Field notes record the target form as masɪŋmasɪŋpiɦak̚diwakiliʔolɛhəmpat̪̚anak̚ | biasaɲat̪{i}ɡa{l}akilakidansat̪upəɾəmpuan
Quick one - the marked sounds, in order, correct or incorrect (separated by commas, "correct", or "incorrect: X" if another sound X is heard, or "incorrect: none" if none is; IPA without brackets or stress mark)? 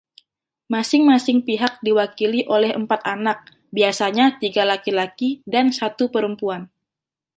correct, correct